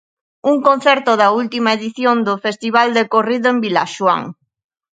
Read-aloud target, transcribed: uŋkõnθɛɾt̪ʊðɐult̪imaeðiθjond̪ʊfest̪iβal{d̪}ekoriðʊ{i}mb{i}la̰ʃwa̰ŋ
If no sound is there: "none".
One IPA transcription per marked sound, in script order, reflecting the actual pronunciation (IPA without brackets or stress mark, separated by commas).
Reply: d̪, e, i